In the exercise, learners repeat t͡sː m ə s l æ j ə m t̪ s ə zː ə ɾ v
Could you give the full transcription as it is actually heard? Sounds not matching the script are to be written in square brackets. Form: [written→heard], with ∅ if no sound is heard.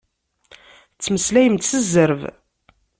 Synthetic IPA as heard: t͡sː m ə s l æ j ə m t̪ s ə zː ə ɾ v

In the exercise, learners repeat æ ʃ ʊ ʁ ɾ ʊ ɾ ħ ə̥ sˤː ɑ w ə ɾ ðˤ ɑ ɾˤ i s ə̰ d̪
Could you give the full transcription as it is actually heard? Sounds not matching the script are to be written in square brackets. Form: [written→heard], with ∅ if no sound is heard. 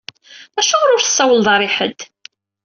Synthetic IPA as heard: æ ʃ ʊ ʁ ɾ ʊ ɾ [ħ→θ] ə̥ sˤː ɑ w ə [ɾ→l] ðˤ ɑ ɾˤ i [s→ħ] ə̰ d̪

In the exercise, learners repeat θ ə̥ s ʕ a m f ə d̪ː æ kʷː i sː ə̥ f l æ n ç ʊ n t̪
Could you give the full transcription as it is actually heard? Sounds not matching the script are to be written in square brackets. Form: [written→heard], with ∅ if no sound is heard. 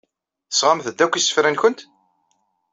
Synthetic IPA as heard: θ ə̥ s [ʕ→ʁ] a m [f→θ] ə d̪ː æ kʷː i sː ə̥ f [l→ɾ] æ n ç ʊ n t̪

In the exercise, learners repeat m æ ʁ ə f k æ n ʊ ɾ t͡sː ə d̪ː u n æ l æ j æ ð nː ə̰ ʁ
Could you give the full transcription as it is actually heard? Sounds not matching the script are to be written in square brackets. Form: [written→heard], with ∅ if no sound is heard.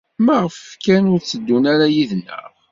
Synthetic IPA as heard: m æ ʁ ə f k æ n ʊ ɾ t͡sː ə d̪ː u n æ [l→ɾ] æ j [æ→i] ð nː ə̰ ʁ

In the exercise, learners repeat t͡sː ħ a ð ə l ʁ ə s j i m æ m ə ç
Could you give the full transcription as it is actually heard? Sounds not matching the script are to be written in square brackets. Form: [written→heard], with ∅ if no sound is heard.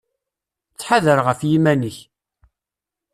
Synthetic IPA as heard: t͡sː ħ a ð ə [l→ɾ] ʁ ə [s→f] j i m æ [m→n] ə ç

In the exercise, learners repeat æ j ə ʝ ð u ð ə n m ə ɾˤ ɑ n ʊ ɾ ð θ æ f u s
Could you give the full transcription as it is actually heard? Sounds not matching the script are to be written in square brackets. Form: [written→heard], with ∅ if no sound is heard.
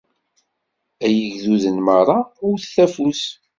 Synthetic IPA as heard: æ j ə ʝ ð u ð ə n m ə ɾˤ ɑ [n→∅] ʊ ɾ [ð→θ] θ æ f u s

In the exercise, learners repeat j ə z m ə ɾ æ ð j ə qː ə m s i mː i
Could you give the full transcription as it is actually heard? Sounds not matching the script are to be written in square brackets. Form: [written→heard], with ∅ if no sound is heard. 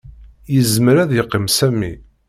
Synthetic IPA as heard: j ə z m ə ɾ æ ð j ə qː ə m s [i→æ] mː i

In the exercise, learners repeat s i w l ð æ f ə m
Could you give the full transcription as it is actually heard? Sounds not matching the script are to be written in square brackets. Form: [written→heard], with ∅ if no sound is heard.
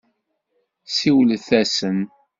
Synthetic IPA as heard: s i w l [ð→θ] æ [f→s] ə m

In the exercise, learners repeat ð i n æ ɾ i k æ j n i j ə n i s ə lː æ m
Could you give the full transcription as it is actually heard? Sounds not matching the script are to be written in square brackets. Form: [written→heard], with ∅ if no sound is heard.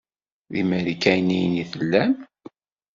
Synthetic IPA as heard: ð i [n→m] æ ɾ i k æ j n i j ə n i [s→θ] ə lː æ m

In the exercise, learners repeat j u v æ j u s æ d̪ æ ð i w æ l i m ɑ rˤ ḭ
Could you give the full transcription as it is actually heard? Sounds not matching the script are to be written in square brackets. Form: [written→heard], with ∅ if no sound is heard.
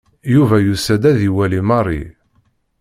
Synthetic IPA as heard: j u v æ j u s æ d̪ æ ð i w æ l i m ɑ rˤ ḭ

